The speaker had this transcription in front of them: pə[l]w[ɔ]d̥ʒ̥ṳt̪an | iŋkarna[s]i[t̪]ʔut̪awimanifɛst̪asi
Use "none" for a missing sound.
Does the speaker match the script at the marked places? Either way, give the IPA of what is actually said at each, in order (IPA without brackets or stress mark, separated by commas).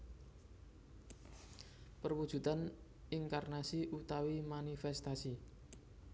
r, u, s, none